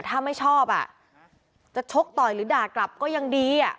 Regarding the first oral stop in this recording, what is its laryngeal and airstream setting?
aspirated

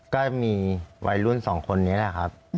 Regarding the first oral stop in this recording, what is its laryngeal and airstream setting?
plain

